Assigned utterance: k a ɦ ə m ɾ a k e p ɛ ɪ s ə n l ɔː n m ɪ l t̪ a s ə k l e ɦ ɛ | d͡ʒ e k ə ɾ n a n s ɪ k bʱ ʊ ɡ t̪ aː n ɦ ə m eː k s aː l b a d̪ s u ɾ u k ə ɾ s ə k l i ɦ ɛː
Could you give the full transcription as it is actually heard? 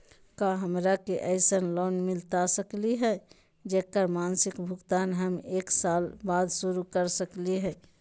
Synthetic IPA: k a ɦ ə m ɾ a k e ʔ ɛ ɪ s ə n l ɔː n m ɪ l t̪ a s ə k l i ɦ ɛ | d͡ʒ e k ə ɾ m a n s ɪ k bʱ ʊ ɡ t̪ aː n ɦ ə m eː k s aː l b a d̪ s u ɾ u k ə ɾ s ə k l i ɦ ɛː